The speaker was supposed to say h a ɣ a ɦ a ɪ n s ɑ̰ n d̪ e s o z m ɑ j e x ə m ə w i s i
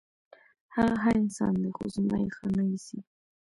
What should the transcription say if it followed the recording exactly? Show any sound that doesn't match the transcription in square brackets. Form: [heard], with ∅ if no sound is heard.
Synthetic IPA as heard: h a ɣ a ɦ a ɪ n s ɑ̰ n d̪ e [x] o z m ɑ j e x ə [n] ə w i s i